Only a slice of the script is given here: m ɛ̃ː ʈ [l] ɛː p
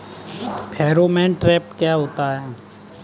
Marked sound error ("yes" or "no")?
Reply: yes